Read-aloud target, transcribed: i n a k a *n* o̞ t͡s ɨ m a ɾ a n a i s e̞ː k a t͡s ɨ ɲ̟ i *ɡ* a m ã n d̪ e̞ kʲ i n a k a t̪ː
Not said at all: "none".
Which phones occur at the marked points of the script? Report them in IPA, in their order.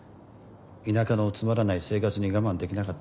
n, ɡ

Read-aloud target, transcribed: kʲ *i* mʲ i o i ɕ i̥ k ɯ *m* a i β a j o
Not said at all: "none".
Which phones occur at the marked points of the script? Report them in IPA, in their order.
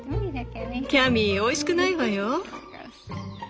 a, n

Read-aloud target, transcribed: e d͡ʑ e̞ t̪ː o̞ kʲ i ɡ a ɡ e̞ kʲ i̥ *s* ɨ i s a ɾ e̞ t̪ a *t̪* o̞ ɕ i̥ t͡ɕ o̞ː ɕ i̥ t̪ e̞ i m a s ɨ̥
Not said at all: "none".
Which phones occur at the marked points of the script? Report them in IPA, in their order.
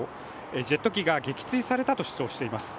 t͡s, t̪

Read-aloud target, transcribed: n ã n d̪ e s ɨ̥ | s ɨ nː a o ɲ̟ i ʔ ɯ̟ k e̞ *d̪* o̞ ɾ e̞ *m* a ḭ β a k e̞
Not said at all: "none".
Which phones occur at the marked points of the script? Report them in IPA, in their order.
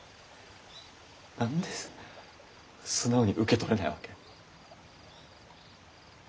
t̪, n

